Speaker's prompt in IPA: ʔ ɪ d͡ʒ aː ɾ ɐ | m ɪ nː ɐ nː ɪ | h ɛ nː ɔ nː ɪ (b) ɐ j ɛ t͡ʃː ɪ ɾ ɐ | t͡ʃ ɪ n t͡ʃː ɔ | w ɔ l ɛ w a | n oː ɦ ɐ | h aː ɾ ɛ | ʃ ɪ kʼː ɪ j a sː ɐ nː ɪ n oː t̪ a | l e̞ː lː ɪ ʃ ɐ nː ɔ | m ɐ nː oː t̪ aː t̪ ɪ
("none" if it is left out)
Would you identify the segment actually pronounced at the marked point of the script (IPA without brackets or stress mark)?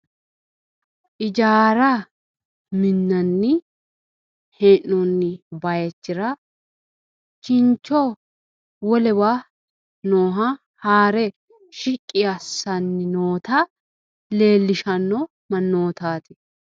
b